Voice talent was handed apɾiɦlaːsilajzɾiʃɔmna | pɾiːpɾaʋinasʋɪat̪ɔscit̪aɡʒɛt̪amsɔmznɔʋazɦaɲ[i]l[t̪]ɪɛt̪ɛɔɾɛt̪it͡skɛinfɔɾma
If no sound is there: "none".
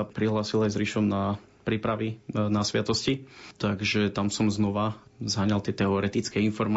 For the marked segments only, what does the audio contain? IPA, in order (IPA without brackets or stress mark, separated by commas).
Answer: a, t̪